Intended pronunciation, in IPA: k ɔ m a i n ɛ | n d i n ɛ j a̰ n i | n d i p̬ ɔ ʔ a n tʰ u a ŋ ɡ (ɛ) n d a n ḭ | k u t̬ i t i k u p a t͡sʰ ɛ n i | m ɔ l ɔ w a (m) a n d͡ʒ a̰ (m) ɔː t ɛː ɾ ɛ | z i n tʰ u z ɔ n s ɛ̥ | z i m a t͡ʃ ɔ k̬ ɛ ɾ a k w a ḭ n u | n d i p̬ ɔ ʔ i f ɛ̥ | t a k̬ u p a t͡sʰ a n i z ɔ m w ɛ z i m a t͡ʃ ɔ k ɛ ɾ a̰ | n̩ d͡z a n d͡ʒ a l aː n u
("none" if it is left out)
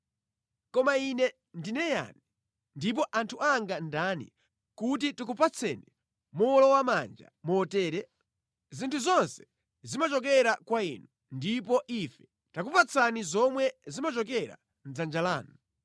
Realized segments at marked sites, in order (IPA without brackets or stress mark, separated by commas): a, m, m